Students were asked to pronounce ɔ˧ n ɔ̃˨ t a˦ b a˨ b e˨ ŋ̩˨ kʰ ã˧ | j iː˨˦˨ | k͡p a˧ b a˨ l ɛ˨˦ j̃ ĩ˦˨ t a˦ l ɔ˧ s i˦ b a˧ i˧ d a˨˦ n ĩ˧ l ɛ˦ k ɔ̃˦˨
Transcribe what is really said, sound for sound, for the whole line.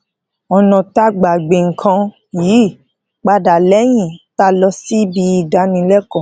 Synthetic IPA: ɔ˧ n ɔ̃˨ t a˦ ɡ͡b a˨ ɡ͡b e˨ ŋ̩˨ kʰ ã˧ | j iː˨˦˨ | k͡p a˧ d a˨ l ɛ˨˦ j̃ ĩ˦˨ t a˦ l ɔ˧ s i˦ b i˧ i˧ d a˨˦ n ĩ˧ l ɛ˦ k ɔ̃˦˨